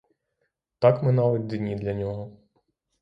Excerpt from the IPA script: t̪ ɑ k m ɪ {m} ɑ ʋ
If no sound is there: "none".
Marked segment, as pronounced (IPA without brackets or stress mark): n